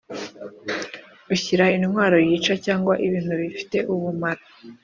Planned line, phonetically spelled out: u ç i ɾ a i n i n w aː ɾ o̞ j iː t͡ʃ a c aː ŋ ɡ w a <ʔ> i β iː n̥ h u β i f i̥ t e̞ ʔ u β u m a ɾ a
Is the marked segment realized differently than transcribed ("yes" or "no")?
no